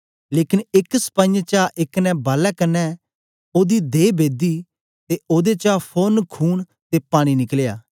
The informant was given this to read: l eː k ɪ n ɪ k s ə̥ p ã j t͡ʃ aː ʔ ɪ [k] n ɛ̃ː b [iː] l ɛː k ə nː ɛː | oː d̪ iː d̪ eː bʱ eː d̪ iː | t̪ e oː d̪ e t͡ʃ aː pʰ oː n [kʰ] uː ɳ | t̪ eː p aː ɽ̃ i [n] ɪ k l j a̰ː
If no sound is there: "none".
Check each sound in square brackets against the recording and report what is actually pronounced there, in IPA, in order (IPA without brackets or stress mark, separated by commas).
k, aː, kʰ, n